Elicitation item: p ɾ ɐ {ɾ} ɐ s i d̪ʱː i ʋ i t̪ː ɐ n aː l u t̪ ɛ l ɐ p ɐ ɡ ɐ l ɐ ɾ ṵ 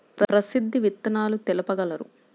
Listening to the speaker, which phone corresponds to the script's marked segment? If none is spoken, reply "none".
ɾ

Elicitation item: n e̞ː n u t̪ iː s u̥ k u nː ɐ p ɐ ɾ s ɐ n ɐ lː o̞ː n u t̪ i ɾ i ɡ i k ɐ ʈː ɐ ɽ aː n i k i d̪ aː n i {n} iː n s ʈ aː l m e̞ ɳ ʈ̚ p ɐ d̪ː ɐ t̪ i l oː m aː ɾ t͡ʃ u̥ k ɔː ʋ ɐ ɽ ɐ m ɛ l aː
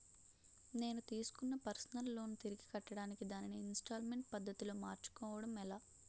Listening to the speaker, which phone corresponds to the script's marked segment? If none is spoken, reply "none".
n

